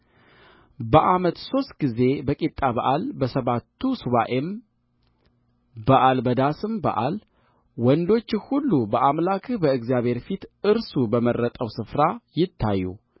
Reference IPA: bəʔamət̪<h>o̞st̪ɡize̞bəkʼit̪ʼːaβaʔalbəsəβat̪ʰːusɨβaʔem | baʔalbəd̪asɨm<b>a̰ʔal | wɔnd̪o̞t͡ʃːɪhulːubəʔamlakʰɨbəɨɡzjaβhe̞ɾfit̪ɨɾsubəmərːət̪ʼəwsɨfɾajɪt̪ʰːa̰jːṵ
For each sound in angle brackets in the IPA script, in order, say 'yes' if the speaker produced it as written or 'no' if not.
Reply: no, yes

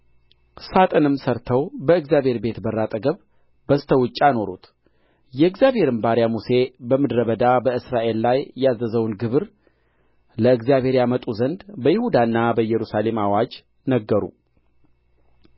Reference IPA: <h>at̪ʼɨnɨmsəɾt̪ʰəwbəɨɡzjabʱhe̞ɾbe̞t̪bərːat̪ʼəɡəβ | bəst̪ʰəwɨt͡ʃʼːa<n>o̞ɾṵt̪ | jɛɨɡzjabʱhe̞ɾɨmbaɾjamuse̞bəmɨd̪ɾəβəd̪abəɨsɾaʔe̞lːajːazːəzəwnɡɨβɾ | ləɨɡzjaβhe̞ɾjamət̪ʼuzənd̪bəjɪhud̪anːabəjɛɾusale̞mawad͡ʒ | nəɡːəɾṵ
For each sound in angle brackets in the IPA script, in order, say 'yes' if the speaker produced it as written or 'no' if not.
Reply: no, yes

